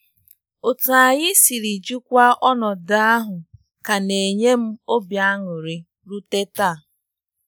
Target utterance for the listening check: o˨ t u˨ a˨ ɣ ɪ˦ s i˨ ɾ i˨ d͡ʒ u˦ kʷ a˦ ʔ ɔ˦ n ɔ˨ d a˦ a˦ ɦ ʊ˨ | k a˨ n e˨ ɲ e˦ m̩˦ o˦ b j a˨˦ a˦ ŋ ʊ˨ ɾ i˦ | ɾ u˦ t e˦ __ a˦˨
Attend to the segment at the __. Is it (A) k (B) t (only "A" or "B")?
B